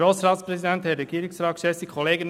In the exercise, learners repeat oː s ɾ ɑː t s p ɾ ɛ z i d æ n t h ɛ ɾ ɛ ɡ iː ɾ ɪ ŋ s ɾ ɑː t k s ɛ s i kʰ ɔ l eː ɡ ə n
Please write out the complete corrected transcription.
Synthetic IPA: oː s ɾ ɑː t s p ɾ ɛ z i d ɛ n t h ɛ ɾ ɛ ɡ iː ɾ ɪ ŋ s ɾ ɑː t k ʃ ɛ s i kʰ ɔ l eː ɡ ə n